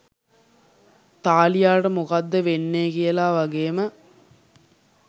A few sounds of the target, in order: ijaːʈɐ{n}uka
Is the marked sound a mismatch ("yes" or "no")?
yes